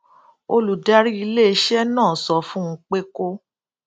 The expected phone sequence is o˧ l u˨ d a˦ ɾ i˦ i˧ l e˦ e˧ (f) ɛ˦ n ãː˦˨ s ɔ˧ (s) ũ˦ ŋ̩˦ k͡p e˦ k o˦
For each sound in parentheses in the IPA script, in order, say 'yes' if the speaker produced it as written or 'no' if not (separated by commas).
no, no